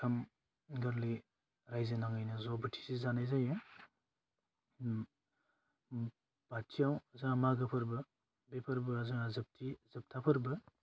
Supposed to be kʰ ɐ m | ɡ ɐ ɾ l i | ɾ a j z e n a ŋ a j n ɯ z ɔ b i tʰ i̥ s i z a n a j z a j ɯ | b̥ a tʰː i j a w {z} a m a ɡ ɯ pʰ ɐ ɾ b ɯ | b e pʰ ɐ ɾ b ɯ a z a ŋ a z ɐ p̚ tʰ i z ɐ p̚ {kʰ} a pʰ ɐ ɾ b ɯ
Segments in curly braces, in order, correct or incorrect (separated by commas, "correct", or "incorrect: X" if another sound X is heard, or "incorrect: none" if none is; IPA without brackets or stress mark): correct, incorrect: tʰ